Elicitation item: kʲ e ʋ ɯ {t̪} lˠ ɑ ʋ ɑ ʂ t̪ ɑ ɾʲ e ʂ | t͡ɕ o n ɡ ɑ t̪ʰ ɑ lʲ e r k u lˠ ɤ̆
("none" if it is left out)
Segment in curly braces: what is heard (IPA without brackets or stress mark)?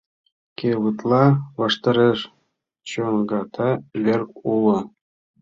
t̪